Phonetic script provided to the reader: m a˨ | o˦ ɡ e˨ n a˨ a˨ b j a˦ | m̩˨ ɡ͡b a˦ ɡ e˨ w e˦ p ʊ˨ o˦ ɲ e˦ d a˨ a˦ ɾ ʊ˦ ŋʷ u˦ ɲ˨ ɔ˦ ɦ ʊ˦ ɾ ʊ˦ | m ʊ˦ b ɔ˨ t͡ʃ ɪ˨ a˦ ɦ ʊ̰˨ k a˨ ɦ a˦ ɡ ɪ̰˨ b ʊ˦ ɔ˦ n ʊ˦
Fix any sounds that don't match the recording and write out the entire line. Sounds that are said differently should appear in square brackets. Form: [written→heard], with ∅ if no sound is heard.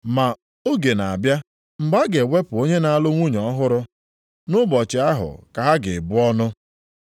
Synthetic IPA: m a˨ | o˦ ɡ e˨ n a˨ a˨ b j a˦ | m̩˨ ɡ͡b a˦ ɡ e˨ w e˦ p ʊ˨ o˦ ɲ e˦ [d→n] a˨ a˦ [ɾ→l] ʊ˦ ŋʷ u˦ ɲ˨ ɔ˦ ɦ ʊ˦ ɾ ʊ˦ | [m→n] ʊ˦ b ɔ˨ t͡ʃ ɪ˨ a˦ ɦ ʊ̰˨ k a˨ ɦ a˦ ɡ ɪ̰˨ b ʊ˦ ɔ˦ n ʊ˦